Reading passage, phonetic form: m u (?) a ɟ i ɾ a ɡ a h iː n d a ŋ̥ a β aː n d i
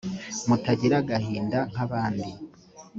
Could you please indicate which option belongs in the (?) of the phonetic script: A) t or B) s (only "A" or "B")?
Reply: A